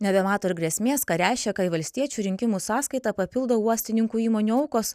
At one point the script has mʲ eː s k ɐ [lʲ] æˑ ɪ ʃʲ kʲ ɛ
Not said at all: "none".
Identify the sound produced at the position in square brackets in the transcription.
ɾʲ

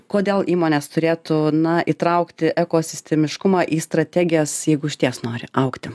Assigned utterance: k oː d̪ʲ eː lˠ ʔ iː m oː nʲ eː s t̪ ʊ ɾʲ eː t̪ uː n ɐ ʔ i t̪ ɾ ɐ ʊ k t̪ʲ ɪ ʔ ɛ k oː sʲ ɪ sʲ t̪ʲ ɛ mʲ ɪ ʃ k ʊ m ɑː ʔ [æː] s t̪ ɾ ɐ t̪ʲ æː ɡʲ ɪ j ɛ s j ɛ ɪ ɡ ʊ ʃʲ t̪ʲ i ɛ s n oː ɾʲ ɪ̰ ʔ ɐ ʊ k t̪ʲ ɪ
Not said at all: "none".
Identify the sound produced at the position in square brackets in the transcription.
iː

